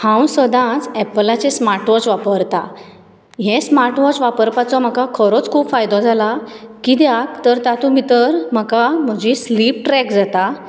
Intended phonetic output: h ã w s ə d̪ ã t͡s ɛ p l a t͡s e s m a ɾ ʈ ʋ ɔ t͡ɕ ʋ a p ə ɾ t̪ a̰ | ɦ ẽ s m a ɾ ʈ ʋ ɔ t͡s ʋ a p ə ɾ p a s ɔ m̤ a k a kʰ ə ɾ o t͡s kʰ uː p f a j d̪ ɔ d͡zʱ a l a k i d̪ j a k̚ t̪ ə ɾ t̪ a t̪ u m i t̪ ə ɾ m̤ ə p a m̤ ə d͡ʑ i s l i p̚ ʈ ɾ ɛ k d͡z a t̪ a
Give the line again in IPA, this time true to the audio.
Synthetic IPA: h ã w s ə d̪ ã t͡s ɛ p l a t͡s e s m a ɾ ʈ ʋ ɔ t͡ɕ ʋ a p ə ɾ t̪ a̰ | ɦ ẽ s m a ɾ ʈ ʋ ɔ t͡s ʋ a p ə ɾ p a t͡s ɔ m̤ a k a kʰ ə ɾ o t͡s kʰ uː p f a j d̪ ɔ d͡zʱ a l a k i d̪ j a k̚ t̪ ə ɾ t̪ a t̪ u m i t̪ ə ɾ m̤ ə k a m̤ ə d͡ʑ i s l i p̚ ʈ ɾ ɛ k d͡z a t̪ a